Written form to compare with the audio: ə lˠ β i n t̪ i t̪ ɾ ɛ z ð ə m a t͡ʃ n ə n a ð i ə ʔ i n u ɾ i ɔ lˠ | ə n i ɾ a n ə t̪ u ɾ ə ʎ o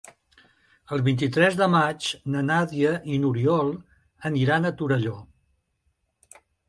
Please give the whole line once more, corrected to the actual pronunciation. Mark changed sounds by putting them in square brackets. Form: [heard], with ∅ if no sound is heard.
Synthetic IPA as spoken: ə lˠ β i n t̪ i t̪ ɾ ɛ z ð ə m a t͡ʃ n ə n a ð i ə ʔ i n u ɾ i ɔ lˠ | ə n i ɾ a n ə t̪ u ɾ ə ʎ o